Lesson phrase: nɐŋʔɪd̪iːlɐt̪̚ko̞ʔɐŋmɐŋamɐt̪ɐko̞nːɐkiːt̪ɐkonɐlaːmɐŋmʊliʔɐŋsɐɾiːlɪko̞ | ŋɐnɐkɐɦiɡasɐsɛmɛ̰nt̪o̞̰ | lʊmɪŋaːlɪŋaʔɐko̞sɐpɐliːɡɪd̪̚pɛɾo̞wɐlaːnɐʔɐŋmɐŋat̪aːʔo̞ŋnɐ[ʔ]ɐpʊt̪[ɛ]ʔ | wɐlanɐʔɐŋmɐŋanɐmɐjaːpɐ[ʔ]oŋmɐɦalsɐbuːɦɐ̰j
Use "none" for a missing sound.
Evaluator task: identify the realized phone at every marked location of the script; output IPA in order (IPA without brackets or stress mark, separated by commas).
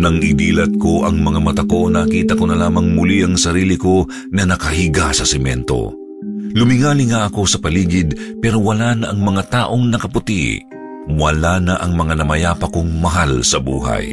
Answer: k, i, k